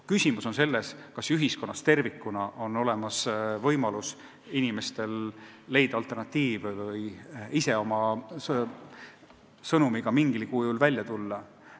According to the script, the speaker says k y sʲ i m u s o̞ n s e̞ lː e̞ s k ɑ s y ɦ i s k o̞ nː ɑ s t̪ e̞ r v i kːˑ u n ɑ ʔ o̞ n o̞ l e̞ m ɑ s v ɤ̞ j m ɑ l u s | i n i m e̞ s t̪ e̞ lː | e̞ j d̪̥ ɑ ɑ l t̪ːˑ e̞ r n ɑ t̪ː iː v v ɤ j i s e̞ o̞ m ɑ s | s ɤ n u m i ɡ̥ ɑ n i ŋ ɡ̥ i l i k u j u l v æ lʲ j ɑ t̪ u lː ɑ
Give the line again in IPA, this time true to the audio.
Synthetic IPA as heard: k y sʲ i m u s o̞ n s e̞ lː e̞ s k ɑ s y ɦ i s k o̞ nː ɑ s t̪ e̞ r v i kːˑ u n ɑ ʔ o̞ n o̞ l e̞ m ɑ s v ɤ̞ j m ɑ l u s | i n i m e̞ s t̪ e̞ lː | e̞ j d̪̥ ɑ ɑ l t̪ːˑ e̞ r n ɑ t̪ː iː v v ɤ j i s e̞ o̞ m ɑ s | s ɤ n u m i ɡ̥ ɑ m i ŋ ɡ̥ i l i k u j u l v æ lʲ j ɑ t̪ u lː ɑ